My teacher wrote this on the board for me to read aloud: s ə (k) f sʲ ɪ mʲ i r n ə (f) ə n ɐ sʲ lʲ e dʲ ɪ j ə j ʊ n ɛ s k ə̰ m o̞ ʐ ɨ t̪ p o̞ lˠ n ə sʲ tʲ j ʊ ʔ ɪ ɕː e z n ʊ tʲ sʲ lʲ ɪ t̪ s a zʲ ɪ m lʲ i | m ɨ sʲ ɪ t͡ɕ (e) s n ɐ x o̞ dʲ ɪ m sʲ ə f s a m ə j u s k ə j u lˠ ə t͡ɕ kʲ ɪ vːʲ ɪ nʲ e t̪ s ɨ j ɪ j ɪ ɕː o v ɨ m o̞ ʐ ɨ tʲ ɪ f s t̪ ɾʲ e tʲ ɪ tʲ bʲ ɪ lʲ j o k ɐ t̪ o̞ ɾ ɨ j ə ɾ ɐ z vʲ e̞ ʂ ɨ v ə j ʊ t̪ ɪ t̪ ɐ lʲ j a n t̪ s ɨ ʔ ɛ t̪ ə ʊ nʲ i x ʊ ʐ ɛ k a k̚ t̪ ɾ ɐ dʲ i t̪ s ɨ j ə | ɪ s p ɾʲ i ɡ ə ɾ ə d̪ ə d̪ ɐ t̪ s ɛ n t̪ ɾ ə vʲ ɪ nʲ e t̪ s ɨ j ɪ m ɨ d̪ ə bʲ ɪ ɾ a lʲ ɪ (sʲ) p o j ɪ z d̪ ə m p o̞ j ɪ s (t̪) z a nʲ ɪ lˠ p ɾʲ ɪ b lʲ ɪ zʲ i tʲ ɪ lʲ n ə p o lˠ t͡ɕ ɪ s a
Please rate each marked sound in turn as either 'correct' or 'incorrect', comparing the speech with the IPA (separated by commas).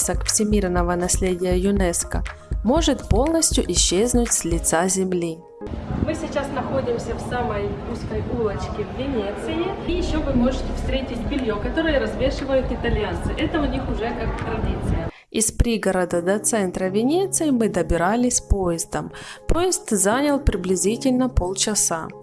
correct, incorrect, incorrect, correct, correct